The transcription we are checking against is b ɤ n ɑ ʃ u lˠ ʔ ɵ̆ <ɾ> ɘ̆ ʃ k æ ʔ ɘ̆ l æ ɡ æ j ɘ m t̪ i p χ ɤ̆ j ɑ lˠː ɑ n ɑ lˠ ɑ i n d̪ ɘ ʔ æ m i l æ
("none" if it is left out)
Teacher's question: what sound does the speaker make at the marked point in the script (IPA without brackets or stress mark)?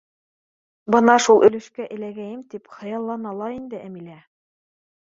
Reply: l